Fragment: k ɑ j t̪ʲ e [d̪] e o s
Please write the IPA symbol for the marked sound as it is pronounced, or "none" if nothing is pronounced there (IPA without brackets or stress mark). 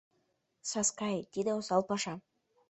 d̪